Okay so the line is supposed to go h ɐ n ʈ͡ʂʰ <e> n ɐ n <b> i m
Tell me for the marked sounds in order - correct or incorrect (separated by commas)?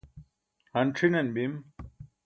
incorrect, correct